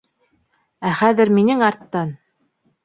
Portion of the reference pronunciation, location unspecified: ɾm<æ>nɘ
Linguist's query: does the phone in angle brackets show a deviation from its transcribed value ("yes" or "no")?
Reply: yes